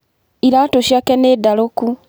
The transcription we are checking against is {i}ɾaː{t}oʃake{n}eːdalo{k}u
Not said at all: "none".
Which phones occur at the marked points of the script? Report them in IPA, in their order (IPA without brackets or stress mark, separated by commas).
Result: i, t, n, k